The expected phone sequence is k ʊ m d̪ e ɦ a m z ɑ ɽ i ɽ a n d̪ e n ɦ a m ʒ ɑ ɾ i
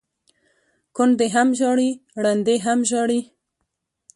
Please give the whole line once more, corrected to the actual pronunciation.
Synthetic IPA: k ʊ n d̪ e ɦ a m ʒ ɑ ɽ i ɽ a n d̪ e ɦ a m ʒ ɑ ɽ i